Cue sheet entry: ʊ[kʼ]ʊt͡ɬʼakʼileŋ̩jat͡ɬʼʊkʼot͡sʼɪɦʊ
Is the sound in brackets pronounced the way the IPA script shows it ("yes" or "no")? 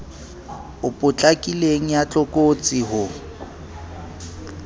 no